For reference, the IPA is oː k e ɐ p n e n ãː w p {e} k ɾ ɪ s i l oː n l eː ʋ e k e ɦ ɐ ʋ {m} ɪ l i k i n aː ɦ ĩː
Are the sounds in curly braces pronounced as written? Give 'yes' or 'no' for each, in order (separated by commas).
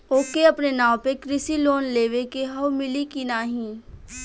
yes, yes